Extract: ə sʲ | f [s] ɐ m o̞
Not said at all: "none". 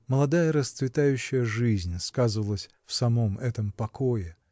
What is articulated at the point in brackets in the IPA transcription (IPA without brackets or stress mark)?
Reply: s